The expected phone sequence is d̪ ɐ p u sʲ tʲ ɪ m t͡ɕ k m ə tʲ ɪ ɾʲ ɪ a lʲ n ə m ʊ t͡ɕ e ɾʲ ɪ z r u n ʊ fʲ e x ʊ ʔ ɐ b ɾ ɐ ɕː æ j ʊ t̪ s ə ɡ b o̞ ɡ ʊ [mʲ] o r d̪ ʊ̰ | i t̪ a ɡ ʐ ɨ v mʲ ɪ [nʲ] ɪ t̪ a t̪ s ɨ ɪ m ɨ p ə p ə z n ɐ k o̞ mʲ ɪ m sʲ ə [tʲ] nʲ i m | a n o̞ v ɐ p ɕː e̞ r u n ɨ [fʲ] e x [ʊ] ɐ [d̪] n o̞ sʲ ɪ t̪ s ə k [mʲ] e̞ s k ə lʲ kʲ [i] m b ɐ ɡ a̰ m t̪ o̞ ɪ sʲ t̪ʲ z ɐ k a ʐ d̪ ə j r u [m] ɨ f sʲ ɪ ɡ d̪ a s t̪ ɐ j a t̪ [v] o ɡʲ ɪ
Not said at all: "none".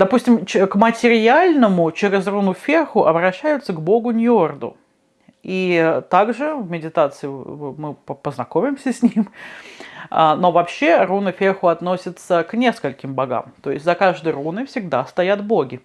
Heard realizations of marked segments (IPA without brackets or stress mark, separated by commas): nʲ, dʲ, sʲ, fʲ, ʊ, t̪, nʲ, ɪ, n, b